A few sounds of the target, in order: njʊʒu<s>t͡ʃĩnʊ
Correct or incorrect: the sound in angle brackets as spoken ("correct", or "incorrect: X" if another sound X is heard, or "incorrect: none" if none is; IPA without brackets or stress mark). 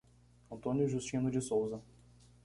correct